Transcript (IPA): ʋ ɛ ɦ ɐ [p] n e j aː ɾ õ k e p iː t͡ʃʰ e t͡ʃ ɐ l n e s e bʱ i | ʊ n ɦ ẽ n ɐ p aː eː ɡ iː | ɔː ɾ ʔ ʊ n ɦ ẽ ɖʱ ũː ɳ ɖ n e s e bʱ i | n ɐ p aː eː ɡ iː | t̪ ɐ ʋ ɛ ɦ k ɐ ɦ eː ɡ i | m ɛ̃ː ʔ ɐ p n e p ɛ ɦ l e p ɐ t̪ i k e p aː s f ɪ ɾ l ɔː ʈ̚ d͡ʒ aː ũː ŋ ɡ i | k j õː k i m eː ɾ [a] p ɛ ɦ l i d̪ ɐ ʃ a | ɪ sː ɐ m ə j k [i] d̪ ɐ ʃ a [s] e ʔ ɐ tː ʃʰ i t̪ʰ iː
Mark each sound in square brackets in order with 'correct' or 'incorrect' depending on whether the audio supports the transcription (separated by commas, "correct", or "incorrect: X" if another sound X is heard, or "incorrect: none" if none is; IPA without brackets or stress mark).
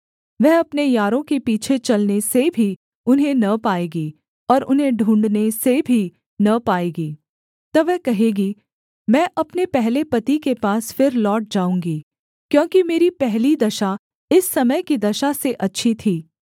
correct, incorrect: i, correct, correct